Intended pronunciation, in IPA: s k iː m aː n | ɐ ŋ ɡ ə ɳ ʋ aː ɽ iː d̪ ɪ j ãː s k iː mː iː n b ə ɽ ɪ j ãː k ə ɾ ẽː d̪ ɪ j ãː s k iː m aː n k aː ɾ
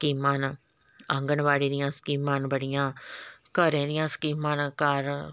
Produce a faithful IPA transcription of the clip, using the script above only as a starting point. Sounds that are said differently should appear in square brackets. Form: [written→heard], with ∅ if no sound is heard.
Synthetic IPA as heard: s k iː m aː n | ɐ ŋ ɡ ə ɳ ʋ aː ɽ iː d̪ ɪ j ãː s k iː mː [iː→aː] n b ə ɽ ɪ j ãː k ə ɾ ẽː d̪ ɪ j ãː s k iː m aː n k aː ɾ